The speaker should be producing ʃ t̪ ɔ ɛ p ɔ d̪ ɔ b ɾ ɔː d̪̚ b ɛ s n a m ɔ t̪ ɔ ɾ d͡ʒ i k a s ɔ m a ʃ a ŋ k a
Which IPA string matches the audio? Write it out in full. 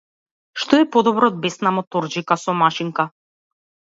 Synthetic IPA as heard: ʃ t̪ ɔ ɛ p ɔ d̪ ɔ b ɾ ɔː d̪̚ b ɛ s n a m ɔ t̪ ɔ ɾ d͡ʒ i k a s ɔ m a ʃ i ŋ k a